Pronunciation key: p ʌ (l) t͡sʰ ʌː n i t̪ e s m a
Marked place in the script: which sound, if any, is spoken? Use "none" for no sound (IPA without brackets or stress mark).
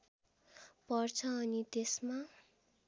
r